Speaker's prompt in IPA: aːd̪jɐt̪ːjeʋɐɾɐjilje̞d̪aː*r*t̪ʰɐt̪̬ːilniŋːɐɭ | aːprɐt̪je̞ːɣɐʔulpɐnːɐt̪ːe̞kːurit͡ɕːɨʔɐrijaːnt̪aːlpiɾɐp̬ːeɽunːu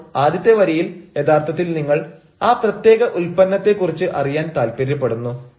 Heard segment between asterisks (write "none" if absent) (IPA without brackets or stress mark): r